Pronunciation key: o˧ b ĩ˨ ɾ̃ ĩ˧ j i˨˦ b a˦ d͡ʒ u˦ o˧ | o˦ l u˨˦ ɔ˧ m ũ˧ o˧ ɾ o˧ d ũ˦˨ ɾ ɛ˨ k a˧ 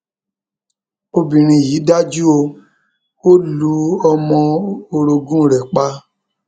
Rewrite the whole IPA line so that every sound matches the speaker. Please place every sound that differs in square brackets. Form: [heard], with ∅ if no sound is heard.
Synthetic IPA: o˧ b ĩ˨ ɾ̃ ĩ˧ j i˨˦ [d] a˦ d͡ʒ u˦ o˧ | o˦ l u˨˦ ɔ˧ m [ɔ̃˧] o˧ ɾ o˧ [ɡ] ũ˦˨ ɾ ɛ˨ [k͡p] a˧